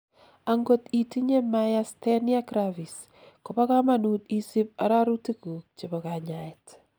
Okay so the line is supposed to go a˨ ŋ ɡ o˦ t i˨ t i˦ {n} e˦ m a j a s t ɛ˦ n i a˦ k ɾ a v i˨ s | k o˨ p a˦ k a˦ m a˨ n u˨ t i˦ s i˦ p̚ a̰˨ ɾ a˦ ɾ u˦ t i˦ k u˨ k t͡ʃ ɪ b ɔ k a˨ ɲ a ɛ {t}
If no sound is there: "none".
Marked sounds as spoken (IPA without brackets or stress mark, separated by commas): ɲ, t